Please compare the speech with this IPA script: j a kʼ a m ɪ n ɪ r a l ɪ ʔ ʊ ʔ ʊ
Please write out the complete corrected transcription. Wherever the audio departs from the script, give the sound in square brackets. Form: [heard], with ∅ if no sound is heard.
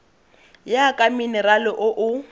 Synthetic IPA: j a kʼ a m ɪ n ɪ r a l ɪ ʔ ʊ ʔ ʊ